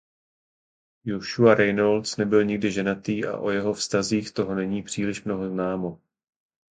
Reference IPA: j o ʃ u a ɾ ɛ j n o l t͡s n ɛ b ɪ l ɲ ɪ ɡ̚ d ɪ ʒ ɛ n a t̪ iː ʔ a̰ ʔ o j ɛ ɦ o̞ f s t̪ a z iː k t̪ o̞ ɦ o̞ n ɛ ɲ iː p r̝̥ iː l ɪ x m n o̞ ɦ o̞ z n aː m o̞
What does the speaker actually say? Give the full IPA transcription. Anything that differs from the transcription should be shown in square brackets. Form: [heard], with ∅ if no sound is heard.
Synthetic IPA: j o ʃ u a ɾ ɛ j n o l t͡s n ɛ b ɪ l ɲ ɪ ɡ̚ d ɪ ʒ ɛ n a t̪ iː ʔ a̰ ʔ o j ɛ ɦ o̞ f s t̪ a z iː [x] t̪ o̞ ɦ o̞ n ɛ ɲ iː p r̝̥ iː l ɪ [ʃ] m n o̞ ɦ o̞ z n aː m o̞

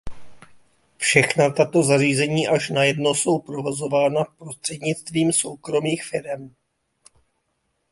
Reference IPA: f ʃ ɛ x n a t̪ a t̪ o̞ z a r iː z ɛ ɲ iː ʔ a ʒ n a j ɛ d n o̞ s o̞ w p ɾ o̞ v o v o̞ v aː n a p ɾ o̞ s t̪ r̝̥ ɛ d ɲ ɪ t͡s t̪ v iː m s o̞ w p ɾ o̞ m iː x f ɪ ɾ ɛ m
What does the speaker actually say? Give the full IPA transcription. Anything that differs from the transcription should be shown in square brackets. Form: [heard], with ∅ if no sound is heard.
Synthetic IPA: f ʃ ɛ x n a t̪ a t̪ o̞ z a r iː z ɛ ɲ iː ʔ a [ʃ] n a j ɛ d n o̞ s o̞ w p ɾ o̞ v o [z] o̞ v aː n a p ɾ o̞ s t̪ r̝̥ ɛ d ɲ ɪ t͡s t̪ v iː m s o̞ w [k] ɾ o̞ m iː x f ɪ ɾ ɛ m

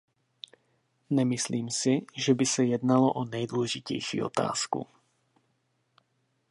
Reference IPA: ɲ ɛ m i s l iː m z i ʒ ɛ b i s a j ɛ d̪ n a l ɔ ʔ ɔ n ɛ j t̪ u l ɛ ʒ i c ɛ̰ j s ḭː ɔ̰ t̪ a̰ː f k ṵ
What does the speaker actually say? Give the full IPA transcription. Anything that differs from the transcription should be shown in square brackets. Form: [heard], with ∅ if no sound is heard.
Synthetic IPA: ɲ ɛ m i s l iː m [s] i ʒ ɛ b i s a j ɛ d̪ n a l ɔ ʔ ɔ n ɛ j [d̪] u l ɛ ʒ i c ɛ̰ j [ʃ] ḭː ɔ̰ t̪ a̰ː [s] k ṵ

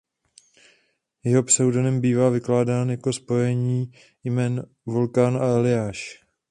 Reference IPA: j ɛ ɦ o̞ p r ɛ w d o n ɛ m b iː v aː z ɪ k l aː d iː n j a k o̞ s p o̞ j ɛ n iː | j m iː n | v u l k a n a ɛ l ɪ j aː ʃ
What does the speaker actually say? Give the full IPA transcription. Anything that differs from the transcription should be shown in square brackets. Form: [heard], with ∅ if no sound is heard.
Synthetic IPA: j ɛ ɦ o̞ p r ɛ w d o n ɛ m b iː v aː [v] ɪ k l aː d [aː] n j a k o̞ s p o̞ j ɛ [ɲ] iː | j m [ɛː] n | v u l k a n a ɛ l ɪ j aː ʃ

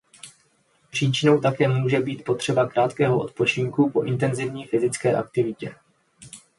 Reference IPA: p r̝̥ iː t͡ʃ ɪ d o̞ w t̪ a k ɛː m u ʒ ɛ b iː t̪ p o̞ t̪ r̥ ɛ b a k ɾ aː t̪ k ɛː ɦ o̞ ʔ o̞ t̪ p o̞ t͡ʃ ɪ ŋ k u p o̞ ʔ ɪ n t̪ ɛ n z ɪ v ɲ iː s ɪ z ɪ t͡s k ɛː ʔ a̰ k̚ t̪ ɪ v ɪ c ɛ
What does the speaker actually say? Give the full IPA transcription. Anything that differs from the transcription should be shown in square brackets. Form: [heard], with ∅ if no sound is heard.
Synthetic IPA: p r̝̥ iː t͡ʃ ɪ [n] o̞ w t̪ a k ɛː m [uː] ʒ ɛ b iː t̪ p o̞ t̪ r̥ ɛ b a k ɾ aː t̪ k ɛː ɦ o̞ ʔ o̞ t̪ p o̞ t͡ʃ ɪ ŋ k u p o̞ ʔ ɪ n t̪ ɛ n z ɪ v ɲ iː [f] ɪ z ɪ t͡s k ɛː ʔ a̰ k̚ t̪ ɪ v ɪ c ɛ

